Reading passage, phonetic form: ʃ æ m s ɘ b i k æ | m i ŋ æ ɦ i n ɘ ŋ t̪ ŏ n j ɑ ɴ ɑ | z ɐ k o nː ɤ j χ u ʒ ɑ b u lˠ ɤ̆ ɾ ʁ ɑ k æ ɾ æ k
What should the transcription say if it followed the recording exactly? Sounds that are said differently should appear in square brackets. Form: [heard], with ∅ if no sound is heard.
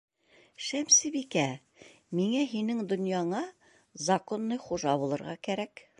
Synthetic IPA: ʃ æ m s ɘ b i k æ | m i ŋ æ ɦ i n ɘ ŋ [d̪] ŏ n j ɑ ɴ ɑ | z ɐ k o nː ɤ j χ u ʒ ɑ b u lˠ ɤ̆ ɾ ʁ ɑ k æ ɾ æ k